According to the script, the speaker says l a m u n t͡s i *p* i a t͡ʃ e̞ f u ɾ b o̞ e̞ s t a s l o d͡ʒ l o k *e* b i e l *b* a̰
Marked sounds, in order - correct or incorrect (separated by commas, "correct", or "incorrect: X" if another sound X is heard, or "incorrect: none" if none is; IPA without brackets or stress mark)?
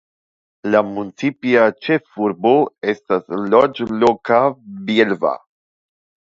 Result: correct, incorrect: a, incorrect: v